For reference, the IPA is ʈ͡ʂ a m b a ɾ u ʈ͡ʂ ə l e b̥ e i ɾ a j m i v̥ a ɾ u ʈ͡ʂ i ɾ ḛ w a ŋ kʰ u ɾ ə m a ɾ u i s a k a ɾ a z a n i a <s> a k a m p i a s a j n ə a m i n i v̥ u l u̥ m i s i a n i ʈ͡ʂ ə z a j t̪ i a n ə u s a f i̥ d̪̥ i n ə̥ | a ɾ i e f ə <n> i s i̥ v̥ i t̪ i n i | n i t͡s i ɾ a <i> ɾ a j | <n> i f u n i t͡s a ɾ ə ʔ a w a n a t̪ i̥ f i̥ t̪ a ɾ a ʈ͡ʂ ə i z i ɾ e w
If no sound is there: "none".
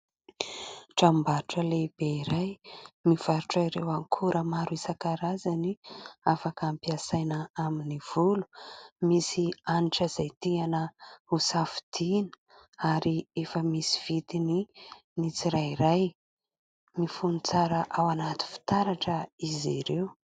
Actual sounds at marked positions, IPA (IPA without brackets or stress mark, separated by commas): f, m, i, m